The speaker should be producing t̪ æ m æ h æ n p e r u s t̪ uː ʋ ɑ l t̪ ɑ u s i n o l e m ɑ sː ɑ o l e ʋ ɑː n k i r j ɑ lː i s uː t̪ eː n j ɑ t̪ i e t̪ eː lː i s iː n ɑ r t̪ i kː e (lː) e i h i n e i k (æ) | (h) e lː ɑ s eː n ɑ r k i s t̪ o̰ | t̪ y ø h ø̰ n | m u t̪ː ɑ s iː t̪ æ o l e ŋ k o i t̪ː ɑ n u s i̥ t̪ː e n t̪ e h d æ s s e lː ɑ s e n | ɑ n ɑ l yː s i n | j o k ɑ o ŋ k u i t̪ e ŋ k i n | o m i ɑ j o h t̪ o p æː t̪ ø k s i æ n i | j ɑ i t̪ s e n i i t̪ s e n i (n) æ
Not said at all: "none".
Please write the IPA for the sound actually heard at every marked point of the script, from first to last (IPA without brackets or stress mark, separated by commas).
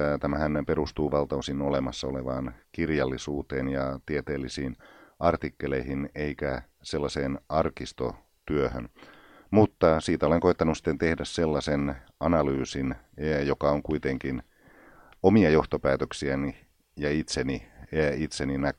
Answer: l, æ, s, n